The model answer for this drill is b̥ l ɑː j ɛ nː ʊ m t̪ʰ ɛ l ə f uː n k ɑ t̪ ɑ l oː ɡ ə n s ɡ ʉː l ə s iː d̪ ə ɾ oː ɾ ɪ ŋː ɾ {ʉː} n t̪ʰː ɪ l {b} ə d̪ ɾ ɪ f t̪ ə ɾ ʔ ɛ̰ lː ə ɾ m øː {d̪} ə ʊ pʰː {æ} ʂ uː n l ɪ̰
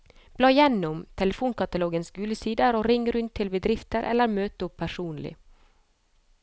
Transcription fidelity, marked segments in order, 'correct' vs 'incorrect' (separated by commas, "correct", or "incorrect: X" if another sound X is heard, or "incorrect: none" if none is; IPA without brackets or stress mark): incorrect: ʉ, correct, incorrect: t̪, correct